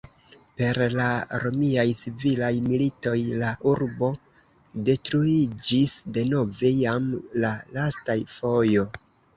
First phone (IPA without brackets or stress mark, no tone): p